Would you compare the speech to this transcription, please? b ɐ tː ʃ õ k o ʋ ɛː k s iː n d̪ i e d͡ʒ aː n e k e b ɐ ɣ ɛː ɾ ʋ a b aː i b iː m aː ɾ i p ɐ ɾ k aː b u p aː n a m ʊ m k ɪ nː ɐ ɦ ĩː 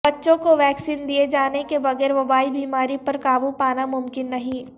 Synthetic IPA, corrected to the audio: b ɐ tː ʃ õ k o ʋ ɛː k s iː n d̪ i e d͡ʒ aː n e k e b ɐ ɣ ɛː ɾ ʋ ɐ b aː i b iː m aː ɾ i p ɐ ɾ k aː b u p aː n a m ʊ m k ɪ nː ɐ ɦ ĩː

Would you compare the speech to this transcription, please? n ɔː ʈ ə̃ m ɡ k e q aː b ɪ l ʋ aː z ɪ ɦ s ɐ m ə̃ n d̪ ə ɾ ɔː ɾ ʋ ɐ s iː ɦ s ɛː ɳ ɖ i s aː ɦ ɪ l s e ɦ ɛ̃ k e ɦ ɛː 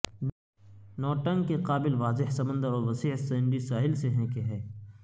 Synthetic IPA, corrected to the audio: n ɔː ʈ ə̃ ŋ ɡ k e q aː b ɪ l ʋ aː z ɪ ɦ s ɐ m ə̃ n d̪ ə ɾ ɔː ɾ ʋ ɐ s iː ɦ s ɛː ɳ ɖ i s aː ɦ ɪ l s e ɦ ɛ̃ k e ɦ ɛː

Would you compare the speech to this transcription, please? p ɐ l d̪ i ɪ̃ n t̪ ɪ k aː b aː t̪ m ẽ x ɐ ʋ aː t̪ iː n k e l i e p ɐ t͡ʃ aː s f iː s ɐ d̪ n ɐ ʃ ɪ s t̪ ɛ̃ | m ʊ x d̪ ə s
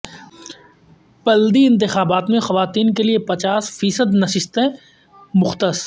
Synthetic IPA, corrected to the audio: p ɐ l d̪ i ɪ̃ n t̪ ɪ x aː b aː t̪ m ẽ x ɐ ʋ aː t̪ iː n k e l i e p ɐ t͡ʃ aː s f iː s ə d̪ n ɐ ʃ ɪ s t̪ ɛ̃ | m ʊ x t̪ ə s

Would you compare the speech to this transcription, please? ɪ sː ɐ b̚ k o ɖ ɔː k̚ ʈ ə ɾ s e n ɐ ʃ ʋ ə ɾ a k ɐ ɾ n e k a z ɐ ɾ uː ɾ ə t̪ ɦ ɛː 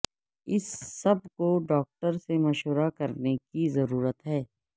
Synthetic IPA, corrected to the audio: ɪ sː ɐ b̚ k o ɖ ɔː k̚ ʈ ə ɾ s e m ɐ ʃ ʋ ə ɾ a k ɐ ɾ n e k i z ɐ ɾ uː ɾ ə t̪ ɦ ɛː

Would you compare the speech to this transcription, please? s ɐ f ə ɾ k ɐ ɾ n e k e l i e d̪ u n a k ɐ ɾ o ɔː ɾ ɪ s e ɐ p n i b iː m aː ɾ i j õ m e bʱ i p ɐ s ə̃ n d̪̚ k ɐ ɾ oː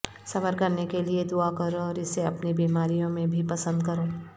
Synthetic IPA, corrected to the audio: s ɐ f ə ɾ k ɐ ɾ n e k e l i e d̪ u a k ɐ ɾ o ɔː ɾ ɪ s e ɐ p n i b iː m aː ɾ i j õ m ẽ bʱ i p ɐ s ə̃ n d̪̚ k ɐ ɾ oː

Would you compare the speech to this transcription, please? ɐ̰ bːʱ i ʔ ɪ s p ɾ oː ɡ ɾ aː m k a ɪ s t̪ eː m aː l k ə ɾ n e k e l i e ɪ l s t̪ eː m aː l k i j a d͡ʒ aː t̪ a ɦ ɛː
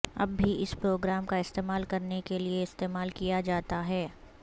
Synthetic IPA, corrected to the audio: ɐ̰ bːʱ i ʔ ɪ s p ɾ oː ɡ ɾ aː m k a ɪ s t̪ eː m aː l k ɐ ɾ n e k e l i e ɪ s t̪ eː m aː l k i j a d͡ʒ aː t̪ a ɦ ɛː

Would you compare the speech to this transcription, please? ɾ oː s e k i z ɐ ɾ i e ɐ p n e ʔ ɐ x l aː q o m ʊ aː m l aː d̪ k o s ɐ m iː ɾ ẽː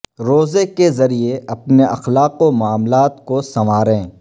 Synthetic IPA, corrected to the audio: ɾ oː z e k e z ɐ ɾ i e ɐ p n e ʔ ɐ x l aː q o m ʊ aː m l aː t̪ k o s ɐ m aː ɾ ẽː

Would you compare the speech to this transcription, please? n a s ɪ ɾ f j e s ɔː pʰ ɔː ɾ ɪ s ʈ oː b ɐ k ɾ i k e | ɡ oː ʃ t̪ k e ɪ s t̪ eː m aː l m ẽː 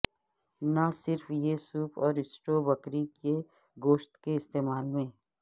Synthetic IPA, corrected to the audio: n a s ɪ ɾ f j e s uː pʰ ɔː ɾ ɪ s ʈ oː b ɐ k ɾ i k e | ɡ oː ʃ t̪ k e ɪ s t̪ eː m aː l m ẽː

